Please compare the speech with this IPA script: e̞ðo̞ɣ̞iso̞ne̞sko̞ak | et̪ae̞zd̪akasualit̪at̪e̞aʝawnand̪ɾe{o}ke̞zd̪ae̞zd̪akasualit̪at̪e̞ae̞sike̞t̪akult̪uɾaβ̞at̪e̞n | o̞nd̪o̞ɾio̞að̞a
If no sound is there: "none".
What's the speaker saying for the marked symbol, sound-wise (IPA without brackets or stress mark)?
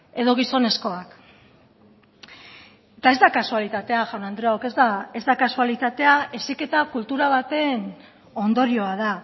o